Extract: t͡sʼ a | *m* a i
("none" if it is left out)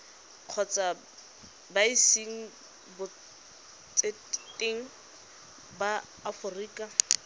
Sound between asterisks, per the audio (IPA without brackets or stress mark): b